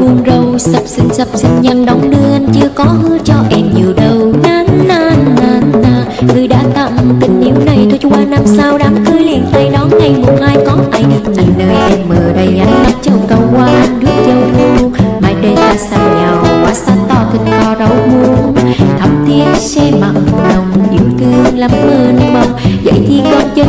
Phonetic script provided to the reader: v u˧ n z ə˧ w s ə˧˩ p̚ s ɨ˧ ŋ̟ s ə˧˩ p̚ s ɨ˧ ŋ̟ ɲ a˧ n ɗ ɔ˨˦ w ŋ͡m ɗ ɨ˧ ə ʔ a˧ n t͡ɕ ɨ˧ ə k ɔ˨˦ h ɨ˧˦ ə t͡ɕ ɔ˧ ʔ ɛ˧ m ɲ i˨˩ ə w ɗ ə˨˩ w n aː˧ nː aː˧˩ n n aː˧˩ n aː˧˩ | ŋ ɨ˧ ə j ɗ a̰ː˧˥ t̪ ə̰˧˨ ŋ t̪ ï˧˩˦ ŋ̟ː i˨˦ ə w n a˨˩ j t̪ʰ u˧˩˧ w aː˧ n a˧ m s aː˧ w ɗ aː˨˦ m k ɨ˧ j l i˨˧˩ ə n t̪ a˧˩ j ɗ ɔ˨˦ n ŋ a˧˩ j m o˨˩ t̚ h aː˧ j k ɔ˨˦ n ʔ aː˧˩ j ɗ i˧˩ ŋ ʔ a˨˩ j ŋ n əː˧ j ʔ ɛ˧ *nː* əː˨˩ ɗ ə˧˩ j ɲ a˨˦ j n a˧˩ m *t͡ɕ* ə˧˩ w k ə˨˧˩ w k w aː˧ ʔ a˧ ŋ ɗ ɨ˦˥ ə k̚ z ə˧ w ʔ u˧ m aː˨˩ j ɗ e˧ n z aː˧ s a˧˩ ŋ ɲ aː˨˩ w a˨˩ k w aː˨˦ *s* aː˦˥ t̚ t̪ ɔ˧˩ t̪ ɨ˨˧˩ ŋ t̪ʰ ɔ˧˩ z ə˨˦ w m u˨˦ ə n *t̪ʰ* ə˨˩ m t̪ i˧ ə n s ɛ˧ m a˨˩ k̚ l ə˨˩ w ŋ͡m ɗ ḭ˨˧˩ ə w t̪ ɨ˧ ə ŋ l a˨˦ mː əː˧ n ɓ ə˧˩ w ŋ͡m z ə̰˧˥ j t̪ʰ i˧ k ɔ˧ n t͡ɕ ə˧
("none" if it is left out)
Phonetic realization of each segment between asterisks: mː, t͡ɕ, s, t̪ʰ

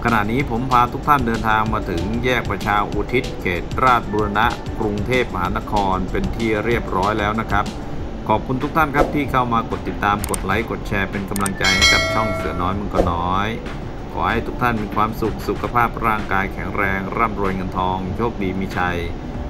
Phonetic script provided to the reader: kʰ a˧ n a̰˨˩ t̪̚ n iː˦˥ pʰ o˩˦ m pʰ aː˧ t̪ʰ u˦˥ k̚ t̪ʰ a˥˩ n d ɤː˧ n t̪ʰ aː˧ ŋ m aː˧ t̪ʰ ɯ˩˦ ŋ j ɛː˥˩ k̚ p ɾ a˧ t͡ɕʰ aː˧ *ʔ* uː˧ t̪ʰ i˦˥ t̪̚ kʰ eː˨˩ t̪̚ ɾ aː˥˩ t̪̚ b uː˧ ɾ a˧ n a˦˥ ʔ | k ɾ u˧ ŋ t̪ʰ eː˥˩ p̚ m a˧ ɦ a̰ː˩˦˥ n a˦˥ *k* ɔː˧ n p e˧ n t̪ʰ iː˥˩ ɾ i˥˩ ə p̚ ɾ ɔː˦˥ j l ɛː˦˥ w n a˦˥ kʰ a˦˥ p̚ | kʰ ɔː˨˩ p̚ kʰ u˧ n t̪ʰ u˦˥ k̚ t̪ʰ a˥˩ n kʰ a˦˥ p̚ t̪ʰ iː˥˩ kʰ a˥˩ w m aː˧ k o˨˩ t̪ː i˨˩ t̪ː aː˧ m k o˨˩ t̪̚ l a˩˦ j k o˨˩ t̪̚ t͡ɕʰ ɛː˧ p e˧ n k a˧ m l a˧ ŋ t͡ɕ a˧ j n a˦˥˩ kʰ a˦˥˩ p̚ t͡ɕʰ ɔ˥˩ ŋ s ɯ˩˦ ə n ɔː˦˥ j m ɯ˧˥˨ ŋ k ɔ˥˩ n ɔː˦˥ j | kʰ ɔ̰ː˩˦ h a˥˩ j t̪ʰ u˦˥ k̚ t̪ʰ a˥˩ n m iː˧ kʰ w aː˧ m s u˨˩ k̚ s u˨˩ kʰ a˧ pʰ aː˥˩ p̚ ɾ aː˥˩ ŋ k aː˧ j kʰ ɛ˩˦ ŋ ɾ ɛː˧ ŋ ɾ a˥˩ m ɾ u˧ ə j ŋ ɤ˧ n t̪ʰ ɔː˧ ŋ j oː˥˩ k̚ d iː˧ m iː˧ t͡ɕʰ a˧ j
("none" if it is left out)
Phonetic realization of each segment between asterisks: ʔ, kʰ

